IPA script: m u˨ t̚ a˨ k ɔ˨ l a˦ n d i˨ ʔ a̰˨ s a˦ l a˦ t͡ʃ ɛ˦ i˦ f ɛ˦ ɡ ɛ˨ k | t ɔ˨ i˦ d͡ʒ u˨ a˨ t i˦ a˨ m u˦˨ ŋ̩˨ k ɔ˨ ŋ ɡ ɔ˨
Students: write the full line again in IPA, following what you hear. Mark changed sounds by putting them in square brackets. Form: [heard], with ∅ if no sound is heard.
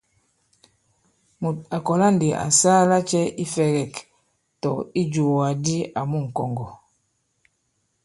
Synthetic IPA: m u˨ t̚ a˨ k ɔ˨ l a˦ n d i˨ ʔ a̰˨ s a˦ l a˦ t͡ʃ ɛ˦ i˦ f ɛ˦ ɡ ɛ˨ k | t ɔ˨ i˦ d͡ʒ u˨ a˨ [d] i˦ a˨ m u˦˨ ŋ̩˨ k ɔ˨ ŋ ɡ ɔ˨